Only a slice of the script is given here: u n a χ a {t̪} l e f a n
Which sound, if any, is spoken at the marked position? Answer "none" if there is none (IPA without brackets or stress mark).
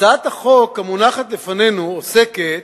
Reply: t̪